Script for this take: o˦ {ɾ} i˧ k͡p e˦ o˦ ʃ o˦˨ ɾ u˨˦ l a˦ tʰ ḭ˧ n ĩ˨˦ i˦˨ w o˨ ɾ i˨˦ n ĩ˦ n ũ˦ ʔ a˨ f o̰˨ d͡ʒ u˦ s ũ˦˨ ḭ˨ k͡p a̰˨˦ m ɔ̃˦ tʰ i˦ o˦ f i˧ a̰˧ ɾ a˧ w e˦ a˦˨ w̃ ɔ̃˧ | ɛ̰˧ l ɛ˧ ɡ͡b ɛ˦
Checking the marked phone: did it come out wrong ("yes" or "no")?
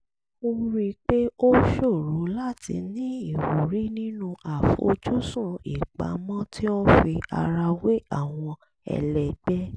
no